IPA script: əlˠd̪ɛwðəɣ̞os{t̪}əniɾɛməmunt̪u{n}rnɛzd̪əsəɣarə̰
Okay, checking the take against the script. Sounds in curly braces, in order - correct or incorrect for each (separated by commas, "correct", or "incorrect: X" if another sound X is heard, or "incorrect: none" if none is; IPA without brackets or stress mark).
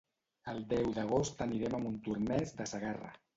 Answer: correct, incorrect: none